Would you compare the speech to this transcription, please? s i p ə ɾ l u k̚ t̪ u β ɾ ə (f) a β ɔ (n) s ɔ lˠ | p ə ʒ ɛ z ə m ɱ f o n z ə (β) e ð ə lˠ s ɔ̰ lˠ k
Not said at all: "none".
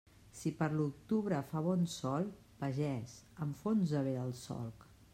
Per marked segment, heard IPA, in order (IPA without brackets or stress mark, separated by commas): f, n, β